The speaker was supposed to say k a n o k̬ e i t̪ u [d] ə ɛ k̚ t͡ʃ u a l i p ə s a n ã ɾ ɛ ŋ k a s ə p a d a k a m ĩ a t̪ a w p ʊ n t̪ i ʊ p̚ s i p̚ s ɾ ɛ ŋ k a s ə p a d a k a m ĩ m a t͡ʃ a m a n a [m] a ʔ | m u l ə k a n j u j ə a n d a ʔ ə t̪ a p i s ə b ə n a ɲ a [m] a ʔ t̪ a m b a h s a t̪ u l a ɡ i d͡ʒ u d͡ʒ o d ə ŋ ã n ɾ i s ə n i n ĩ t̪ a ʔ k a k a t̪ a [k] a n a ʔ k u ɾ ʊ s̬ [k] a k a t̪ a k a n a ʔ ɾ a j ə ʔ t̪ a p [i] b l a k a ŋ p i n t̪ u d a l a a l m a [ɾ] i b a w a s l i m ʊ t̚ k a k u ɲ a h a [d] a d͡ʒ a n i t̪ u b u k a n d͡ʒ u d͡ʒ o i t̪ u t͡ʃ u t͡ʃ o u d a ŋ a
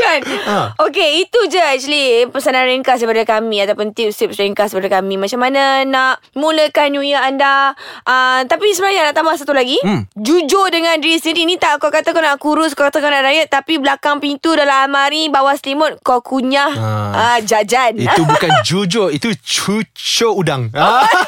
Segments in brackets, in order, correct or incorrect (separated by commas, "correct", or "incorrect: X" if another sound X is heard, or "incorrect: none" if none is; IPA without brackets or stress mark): incorrect: d͡ʒ, incorrect: n, incorrect: n, correct, correct, correct, correct, incorrect: d͡ʒ